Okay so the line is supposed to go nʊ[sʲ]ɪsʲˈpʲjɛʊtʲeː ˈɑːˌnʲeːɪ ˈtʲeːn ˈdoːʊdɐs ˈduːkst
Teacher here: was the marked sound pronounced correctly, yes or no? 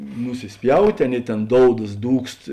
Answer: yes